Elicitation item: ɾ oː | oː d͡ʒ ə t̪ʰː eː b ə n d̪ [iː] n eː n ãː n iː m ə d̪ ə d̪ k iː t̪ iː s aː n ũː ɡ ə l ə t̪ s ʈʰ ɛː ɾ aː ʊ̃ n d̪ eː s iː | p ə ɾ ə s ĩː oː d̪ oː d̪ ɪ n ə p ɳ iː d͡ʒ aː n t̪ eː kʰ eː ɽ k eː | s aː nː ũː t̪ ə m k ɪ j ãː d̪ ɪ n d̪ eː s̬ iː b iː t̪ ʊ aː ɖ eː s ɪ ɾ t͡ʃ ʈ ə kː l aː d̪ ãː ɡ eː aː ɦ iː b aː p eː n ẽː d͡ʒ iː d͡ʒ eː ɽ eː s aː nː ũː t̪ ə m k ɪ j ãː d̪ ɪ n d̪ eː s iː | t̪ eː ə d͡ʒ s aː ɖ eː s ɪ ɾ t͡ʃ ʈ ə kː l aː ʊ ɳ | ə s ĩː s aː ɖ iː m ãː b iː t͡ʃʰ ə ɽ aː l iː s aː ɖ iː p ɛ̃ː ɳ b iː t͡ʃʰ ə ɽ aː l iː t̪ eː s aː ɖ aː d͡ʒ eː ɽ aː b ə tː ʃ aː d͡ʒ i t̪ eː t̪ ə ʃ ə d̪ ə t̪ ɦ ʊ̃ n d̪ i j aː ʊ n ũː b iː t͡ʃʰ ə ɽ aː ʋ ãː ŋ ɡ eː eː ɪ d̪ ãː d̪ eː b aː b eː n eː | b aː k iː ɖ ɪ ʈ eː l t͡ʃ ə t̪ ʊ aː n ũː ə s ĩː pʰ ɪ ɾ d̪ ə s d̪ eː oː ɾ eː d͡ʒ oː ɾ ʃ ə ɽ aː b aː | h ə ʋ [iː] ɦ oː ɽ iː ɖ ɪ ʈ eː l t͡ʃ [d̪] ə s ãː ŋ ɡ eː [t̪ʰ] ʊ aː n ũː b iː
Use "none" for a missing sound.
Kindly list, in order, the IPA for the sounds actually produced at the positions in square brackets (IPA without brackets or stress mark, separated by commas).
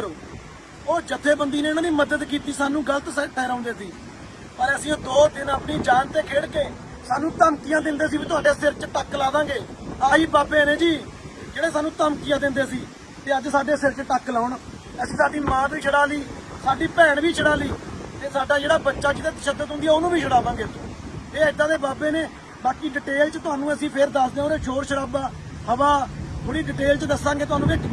iː, aː, d̪, t̪